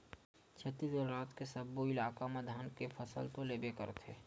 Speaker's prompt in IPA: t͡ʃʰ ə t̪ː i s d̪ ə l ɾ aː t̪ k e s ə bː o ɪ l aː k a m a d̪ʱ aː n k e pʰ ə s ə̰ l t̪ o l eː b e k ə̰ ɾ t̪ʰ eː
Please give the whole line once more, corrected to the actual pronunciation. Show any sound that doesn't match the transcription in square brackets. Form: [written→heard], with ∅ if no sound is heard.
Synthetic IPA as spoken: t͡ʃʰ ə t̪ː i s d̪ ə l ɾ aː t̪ k e s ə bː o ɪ l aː k a m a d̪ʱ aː n k e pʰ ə s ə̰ l t̪ o l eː b e k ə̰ ɾ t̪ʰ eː